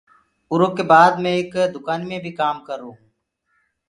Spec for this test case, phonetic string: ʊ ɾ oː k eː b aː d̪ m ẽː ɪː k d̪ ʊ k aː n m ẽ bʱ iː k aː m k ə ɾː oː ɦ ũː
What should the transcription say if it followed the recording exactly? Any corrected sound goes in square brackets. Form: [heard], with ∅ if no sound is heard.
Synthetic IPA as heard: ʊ ɾ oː k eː b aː d̪ m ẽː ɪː k d̪ ʊ k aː n m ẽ bʱ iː k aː m k ə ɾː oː ɦ ũː